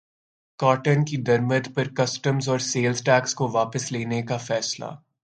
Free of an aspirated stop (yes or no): yes